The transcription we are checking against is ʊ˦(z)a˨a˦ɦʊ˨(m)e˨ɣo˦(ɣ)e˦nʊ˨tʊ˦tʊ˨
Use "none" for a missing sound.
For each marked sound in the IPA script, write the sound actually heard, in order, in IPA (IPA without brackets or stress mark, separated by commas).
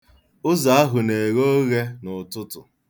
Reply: z, n, ɣ